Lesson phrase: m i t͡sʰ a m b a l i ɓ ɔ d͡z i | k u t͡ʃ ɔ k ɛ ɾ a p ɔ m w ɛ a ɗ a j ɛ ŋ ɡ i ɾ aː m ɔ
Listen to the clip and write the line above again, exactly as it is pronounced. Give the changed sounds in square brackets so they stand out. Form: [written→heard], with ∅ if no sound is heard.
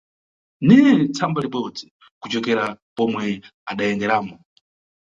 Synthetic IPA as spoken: [m→n] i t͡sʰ a m b a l i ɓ ɔ d͡z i | k u t͡ʃ ɔ k ɛ ɾ a p ɔ m w ɛ a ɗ a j ɛ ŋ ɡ [i→ɛ] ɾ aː m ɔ